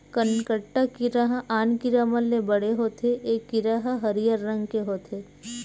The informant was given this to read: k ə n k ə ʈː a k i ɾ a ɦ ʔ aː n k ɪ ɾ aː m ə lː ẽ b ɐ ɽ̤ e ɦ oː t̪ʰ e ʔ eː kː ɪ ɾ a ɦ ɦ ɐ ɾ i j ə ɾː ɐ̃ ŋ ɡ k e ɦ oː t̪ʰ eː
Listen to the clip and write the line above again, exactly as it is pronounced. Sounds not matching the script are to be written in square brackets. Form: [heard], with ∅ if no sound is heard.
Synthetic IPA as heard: k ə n k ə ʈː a k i ɾ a ɦ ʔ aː n k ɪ ɾ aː m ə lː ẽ b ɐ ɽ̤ e ɦ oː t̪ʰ e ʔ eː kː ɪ ɾ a ɦ ɦ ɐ ɾ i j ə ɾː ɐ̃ ŋ ɡ k e ɦ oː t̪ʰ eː

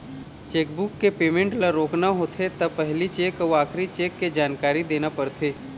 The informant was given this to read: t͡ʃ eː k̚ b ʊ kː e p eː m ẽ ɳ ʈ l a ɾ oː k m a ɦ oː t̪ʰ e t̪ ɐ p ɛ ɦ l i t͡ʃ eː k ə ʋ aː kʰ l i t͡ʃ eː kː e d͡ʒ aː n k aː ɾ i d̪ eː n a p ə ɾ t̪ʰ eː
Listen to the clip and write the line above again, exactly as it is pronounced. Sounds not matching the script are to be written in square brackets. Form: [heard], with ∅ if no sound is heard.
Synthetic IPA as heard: t͡ʃ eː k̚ b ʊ kː e p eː m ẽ ɳ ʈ l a ɾ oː k [n] a ɦ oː t̪ʰ e t̪ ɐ p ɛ ɦ l i t͡ʃ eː k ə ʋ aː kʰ [ɾ] i t͡ʃ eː kː e d͡ʒ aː n k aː ɾ i d̪ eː n a p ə ɾ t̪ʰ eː

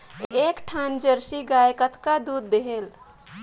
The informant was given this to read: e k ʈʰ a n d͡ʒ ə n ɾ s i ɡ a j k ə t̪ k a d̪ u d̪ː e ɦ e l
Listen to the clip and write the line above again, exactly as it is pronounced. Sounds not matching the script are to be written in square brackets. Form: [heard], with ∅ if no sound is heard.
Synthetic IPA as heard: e k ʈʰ a n d͡ʒ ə [∅] ɾ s i ɡ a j k ə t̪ k a d̪ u d̪ː e ɦ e l

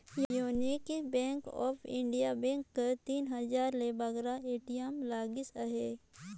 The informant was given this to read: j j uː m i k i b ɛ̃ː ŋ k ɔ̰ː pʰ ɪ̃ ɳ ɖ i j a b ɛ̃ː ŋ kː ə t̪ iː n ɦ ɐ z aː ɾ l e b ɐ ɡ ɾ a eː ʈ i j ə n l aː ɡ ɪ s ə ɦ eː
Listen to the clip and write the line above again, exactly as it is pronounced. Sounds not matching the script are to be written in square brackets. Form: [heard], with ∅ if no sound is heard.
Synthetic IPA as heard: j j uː [n] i k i b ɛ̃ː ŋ k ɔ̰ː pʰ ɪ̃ ɳ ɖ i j a b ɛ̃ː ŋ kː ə t̪ iː n ɦ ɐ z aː ɾ l e b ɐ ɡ ɾ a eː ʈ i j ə [m] l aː ɡ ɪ s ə ɦ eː

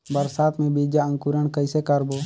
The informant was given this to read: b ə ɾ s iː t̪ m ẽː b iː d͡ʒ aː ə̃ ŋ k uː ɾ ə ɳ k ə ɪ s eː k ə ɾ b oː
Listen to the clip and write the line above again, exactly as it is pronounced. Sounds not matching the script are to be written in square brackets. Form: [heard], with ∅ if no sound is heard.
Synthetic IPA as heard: b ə ɾ s [aː] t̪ m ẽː b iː d͡ʒ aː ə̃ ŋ k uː ɾ ə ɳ k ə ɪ s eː k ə ɾ b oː

